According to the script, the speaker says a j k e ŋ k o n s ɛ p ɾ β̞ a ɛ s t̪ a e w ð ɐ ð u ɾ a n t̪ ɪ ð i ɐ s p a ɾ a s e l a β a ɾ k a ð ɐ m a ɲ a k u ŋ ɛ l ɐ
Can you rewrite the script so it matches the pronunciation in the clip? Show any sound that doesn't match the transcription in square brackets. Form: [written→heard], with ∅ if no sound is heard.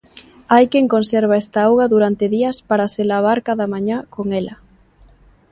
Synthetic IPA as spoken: a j k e ŋ k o n s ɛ [p→∅] ɾ β̞ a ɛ s t̪ a [e→a] w [ð→ɣ] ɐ ð u ɾ a n t̪ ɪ ð i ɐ s p a ɾ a s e l a β a ɾ k a ð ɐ m a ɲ a k [u→o] ŋ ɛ l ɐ